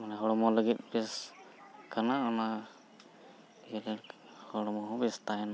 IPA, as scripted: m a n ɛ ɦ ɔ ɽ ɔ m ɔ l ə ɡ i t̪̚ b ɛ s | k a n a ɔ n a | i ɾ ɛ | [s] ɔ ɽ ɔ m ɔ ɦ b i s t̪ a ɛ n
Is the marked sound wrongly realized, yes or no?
yes